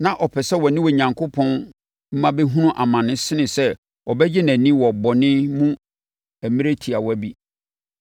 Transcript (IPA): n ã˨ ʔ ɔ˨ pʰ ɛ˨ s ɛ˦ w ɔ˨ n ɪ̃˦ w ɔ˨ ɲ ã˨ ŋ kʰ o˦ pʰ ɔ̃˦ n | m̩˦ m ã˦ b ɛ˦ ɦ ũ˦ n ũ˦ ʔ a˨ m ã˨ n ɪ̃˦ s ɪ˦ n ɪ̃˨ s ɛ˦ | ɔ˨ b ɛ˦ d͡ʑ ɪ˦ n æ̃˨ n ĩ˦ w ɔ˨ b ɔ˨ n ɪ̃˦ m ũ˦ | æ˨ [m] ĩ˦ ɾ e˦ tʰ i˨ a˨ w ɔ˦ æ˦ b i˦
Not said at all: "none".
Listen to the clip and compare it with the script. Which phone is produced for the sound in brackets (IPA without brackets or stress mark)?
m